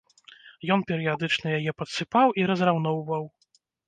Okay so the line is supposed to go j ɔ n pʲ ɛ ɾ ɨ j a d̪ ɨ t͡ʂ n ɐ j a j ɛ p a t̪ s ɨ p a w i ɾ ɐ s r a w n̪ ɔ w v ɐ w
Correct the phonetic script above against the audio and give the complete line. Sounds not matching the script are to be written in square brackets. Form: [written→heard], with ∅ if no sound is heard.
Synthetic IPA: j ɔ n pʲ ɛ ɾ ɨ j a d̪ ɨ t͡ʂ n ɐ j a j ɛ p [a→ɐ] t̪ s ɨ p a w i ɾ ɐ [s→z] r a w n̪ ɔ w v ɐ w